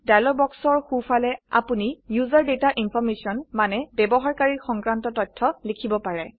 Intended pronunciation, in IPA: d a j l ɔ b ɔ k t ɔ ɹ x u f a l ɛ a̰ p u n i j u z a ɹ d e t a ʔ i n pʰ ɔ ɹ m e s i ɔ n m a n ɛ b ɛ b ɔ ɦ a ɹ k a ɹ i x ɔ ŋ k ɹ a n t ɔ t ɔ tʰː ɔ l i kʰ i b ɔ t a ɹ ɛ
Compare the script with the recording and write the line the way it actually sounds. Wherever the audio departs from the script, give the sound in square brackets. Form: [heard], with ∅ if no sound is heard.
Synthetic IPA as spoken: d a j l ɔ b ɔ k [s] ɔ ɹ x u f a l ɛ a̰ p u n i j u z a ɹ d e t a ʔ i n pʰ ɔ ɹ m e s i ɔ n m a n ɛ b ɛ b ɔ ɦ a ɹ k a ɹ i x ɔ ŋ k ɹ a n t ɔ t ɔ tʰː ɔ l i kʰ i b ɔ [p] a ɹ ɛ

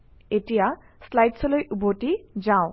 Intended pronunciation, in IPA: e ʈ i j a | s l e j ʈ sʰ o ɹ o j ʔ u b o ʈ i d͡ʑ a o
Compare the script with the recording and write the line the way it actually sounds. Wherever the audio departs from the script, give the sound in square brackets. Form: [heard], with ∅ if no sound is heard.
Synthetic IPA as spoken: e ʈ i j a | s l [a] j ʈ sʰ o [l] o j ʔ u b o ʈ i d͡ʑ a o

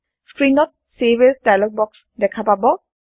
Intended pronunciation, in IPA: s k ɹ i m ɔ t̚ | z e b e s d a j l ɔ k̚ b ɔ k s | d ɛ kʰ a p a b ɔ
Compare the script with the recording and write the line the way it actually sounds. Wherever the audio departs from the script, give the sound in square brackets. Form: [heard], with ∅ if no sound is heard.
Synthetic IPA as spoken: s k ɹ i [n] ɔ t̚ | [s] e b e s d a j l ɔ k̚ b ɔ k s | d ɛ kʰ a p a b ɔ

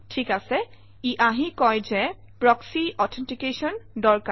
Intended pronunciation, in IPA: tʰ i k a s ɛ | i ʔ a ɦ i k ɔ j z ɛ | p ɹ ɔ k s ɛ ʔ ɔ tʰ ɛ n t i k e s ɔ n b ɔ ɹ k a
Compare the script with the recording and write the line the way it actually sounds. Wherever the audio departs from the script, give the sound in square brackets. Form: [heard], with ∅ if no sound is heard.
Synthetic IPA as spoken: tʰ i k a s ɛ | i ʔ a ɦ i k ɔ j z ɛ | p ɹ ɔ k s [i] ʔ ɔ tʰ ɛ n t i k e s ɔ n [d] ɔ ɹ k a

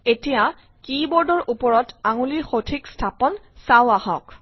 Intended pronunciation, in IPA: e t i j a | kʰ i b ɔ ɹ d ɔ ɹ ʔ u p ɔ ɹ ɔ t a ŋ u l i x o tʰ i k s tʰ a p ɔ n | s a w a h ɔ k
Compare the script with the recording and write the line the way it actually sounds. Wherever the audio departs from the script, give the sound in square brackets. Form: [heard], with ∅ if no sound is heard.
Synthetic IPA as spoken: e t i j a | [k] i b ɔ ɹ d ɔ ɹ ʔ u p ɔ ɹ ɔ t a ŋ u l i x o tʰ i k s tʰ a p ɔ n | s a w a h ɔ k

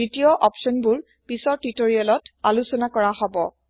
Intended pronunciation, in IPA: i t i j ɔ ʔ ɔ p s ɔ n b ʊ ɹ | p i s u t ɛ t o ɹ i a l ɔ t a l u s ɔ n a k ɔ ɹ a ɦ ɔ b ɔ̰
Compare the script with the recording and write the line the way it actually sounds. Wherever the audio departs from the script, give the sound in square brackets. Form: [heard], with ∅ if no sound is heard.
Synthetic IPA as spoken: i t i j ɔ ʔ ɔ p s ɔ n b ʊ ɹ | p i s [ɔ] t [i] t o ɹ i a l ɔ t a l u s ɔ n a k ɔ ɹ a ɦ ɔ b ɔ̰

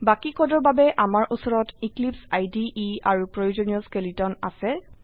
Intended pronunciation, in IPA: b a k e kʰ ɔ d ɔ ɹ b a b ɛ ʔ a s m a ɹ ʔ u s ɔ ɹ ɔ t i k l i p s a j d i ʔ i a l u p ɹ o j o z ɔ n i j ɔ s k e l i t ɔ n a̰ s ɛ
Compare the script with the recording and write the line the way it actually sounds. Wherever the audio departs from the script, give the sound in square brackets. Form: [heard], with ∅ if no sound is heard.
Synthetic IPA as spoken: b a k [i] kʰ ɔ d ɔ ɹ b a b ɛ ʔ a [∅] m a ɹ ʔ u s ɔ ɹ ɔ t i k l i p s a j d i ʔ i a [ɹ] u p ɹ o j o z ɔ n i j ɔ s k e l i t ɔ n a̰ s ɛ

